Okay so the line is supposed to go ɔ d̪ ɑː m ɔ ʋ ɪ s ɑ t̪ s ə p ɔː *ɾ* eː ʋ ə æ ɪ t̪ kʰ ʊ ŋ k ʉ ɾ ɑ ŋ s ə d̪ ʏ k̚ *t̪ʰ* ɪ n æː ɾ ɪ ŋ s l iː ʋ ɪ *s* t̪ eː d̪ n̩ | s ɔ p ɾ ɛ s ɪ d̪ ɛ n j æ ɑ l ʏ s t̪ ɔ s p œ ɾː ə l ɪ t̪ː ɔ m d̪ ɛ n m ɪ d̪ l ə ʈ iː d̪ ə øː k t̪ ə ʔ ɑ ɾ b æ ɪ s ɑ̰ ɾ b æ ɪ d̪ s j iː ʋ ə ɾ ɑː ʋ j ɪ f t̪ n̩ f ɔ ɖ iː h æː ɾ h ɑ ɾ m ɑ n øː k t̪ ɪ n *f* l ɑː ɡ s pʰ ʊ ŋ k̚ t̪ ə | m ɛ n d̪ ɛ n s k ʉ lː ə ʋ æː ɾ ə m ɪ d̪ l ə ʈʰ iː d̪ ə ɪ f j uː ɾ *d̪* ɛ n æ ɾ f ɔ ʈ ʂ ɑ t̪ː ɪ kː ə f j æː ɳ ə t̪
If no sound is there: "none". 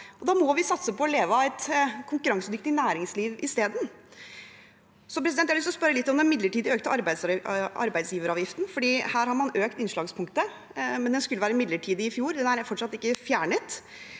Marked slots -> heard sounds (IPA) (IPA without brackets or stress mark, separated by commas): l, t̪, s, ʂ, d̪